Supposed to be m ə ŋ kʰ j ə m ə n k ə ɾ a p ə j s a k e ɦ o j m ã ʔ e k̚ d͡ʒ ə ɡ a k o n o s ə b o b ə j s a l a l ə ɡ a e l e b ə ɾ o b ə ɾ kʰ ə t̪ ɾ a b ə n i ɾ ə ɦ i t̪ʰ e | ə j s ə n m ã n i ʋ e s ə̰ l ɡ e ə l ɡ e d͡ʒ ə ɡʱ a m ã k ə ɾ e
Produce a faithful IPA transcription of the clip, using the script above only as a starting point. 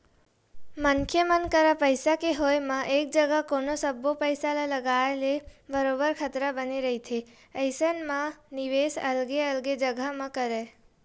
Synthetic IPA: m ə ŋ kʰ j ə m ə n k ə ɾ a p ə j s a k e ɦ o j m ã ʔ e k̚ d͡ʒ ə ɡ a k o n o s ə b o p ə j s a l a l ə ɡ a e l e b ə ɾ o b ə ɾ kʰ ə t̪ ɾ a b ə n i ɾ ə ɦ i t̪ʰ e | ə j s ə n m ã n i ʋ e s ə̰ l ɡ e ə l ɡ e d͡ʒ ə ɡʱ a m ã k ə ɾ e